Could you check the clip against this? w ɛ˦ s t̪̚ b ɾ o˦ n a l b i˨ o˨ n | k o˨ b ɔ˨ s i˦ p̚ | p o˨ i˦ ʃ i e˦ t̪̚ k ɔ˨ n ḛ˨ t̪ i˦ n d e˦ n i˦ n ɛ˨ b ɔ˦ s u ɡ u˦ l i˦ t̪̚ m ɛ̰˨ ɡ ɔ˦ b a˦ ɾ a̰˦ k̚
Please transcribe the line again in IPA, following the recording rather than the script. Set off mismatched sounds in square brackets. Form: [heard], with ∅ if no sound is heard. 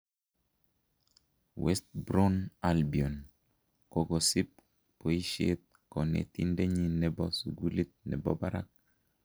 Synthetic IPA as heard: w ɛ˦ s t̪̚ b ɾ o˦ n a l b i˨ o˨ n | k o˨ [ɡ] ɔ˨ s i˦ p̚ | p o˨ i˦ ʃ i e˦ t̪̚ k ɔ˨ n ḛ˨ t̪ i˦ n d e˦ [ɲ] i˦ n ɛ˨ b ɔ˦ s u ɡ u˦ l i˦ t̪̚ [n] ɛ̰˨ [b] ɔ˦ b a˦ ɾ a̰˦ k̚